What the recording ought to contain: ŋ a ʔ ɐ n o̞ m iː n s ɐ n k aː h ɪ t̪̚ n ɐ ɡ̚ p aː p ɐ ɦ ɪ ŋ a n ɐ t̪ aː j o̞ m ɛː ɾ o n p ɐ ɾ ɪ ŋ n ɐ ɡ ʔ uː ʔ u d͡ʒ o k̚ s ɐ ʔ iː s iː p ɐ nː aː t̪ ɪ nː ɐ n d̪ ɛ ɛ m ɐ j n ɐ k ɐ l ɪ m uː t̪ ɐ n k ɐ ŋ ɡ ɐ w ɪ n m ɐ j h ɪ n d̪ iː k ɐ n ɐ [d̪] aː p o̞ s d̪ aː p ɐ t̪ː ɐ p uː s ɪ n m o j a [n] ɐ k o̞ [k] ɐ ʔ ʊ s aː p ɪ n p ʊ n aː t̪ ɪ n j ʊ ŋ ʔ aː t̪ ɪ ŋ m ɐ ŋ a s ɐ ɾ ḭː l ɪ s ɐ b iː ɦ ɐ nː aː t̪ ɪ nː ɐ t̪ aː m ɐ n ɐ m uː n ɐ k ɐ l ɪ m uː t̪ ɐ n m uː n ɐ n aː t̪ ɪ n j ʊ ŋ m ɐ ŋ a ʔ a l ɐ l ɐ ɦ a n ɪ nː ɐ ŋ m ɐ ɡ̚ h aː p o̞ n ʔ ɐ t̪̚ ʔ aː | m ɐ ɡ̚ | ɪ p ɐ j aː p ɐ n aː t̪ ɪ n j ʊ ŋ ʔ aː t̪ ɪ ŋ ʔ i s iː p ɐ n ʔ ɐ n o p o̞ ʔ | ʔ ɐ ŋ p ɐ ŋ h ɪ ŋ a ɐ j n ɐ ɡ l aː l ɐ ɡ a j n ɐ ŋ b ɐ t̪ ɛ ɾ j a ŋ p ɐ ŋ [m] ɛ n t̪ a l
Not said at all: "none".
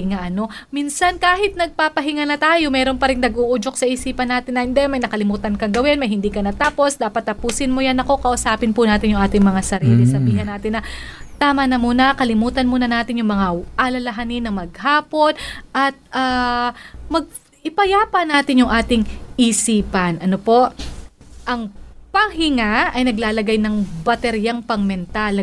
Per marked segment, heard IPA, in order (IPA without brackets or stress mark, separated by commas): t̪, n, k, m